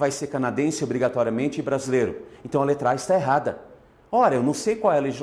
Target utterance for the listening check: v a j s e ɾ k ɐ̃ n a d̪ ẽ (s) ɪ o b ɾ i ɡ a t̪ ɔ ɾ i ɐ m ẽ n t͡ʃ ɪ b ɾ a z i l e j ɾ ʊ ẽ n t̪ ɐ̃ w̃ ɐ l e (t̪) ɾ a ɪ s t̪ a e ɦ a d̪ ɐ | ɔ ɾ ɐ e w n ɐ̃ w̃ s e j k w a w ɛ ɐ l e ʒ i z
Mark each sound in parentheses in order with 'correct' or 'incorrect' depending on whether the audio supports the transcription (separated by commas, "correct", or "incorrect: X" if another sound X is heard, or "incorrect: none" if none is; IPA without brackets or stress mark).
correct, correct